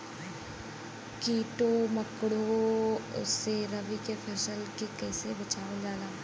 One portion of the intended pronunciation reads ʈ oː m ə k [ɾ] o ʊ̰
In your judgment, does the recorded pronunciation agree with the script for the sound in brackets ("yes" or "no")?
no